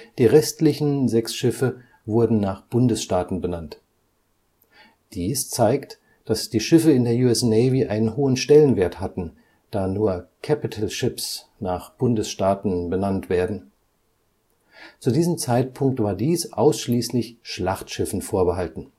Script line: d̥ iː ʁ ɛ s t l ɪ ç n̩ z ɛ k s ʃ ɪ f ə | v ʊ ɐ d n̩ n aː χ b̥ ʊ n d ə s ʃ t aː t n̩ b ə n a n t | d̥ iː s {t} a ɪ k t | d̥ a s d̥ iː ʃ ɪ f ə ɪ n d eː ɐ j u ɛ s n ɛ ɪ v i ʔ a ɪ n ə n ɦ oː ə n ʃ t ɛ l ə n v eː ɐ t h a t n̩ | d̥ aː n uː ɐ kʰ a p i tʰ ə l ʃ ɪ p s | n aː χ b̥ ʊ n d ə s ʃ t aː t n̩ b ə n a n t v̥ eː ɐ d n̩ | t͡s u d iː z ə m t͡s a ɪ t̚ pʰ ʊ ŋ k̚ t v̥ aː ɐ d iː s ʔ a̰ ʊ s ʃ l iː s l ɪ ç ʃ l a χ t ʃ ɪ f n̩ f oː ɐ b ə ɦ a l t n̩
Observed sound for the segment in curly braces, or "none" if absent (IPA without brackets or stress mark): t͡s